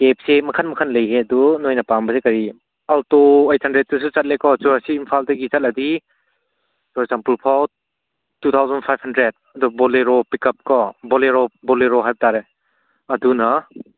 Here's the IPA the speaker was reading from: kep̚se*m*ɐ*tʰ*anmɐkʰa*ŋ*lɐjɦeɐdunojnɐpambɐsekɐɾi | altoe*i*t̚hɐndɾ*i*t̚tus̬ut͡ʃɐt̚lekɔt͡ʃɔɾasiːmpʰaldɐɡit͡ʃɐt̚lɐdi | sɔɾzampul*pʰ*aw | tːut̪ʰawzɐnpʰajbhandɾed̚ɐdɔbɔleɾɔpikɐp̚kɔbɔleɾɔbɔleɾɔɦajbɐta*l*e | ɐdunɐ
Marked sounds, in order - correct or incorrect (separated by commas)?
correct, incorrect, incorrect, incorrect, incorrect, correct, incorrect